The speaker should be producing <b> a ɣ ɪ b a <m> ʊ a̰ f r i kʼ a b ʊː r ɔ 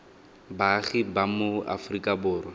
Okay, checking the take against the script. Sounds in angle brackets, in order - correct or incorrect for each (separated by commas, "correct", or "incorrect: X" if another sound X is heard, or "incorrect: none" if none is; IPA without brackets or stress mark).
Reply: correct, correct